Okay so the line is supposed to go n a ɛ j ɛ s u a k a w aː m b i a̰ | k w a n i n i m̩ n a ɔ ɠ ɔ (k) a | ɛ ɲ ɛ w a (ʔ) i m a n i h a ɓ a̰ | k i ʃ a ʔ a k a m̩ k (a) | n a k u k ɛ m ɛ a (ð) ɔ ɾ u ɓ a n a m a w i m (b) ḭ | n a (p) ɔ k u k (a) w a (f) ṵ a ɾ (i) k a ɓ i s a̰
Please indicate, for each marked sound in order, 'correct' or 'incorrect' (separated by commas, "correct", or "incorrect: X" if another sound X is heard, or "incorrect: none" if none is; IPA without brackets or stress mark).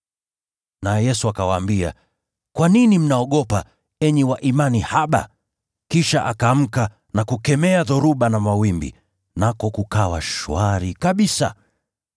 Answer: incorrect: p, correct, correct, correct, correct, incorrect: k, correct, incorrect: ʃ, correct